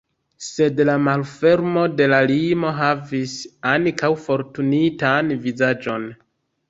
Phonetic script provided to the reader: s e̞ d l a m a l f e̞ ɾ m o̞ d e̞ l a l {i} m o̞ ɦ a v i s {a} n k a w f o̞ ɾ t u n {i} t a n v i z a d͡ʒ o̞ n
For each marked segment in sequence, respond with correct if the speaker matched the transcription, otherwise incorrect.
correct, correct, correct

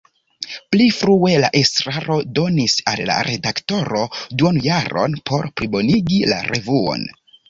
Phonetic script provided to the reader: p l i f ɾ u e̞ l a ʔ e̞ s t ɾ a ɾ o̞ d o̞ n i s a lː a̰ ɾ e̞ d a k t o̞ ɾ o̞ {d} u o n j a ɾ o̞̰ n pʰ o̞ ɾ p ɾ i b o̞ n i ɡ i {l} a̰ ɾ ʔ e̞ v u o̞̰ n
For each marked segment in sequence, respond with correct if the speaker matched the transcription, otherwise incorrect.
correct, correct

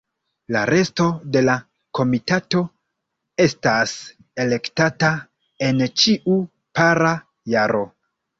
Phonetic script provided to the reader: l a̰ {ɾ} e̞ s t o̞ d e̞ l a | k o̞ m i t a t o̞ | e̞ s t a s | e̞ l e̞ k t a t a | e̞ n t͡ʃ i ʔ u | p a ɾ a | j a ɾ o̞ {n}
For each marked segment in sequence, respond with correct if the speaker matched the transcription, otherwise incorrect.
correct, incorrect: none

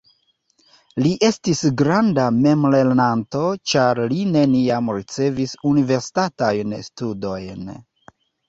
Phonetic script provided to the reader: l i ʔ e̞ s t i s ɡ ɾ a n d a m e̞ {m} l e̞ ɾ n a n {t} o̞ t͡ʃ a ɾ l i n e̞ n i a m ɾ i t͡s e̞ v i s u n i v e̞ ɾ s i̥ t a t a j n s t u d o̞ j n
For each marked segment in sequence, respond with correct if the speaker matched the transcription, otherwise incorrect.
correct, correct

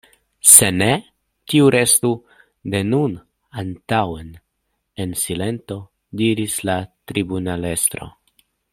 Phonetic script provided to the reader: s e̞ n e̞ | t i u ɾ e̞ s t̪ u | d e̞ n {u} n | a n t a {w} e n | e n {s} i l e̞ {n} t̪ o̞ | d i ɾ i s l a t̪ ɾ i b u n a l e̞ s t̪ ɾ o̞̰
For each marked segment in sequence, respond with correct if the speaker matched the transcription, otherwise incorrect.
correct, correct, correct, correct

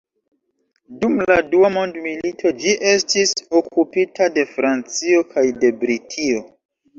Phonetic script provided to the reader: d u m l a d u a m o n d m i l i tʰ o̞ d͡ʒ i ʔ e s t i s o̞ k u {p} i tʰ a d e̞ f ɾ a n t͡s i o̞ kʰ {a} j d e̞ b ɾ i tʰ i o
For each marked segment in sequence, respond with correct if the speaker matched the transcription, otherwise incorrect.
correct, correct

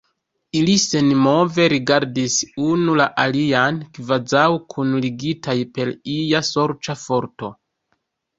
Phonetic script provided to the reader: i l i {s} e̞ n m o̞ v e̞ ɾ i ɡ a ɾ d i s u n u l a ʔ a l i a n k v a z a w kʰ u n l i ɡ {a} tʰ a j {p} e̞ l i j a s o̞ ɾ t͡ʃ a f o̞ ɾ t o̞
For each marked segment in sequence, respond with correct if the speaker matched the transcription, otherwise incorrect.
correct, incorrect: i, correct

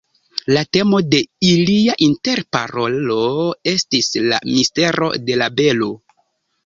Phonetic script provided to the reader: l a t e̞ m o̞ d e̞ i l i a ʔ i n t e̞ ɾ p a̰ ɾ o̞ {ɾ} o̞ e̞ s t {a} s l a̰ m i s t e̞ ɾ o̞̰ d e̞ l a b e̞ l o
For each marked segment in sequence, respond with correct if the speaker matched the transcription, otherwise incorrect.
incorrect: l, incorrect: i

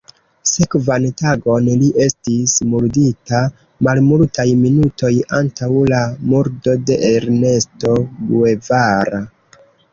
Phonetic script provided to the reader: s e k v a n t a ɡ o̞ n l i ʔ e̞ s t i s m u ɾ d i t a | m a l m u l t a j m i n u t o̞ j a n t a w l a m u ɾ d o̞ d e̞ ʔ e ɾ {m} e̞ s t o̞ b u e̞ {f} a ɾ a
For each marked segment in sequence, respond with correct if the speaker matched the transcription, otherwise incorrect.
incorrect: n, incorrect: v

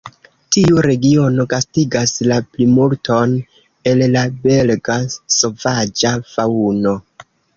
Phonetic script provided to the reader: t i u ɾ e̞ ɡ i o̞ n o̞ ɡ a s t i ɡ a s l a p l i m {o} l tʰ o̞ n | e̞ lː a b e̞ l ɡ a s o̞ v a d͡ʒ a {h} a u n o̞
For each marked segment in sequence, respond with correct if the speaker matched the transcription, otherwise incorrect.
incorrect: u, incorrect: f

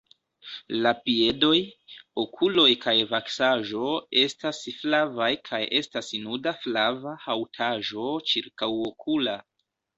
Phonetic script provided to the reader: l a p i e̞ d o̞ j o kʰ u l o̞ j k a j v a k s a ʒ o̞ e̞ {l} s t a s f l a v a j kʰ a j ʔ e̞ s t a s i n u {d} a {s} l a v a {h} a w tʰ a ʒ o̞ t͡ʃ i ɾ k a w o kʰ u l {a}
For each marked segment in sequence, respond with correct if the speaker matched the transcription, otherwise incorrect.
incorrect: none, correct, incorrect: f, correct, correct

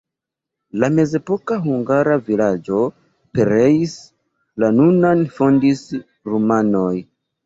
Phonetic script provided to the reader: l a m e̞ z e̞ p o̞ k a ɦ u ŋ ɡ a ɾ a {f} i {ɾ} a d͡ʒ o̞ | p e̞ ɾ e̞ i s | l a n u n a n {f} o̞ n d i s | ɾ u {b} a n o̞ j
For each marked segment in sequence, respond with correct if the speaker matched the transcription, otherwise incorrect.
incorrect: v, incorrect: l, correct, incorrect: m

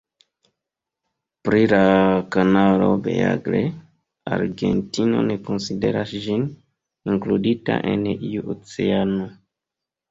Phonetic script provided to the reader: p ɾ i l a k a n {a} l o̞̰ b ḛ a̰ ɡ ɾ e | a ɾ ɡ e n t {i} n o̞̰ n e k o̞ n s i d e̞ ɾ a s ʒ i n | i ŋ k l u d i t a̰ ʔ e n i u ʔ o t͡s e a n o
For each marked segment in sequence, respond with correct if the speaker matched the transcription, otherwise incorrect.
correct, correct

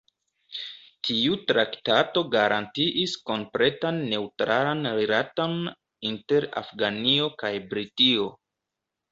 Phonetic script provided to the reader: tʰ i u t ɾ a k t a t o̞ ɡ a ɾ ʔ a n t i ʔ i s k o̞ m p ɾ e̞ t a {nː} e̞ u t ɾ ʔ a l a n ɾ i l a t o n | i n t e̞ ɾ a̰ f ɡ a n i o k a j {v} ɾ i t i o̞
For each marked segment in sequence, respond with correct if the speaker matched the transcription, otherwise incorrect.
correct, incorrect: b

